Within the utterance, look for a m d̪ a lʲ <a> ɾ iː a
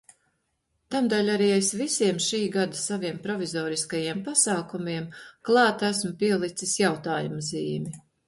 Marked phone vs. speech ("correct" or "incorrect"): correct